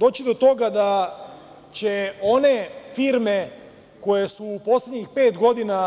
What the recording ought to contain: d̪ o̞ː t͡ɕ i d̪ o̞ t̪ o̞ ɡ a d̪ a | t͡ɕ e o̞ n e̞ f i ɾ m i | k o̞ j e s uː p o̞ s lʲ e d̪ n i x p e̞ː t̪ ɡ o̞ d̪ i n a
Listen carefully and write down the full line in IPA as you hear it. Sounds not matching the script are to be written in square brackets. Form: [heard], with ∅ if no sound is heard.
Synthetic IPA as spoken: d̪ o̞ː t͡ɕ i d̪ o̞ t̪ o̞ ɡ a d̪ a | t͡ɕ e o̞ n e̞ f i ɾ m [e] | k o̞ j e s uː p o̞ s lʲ e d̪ [ɲ] i x p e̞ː t̪ ɡ o̞ d̪ i n a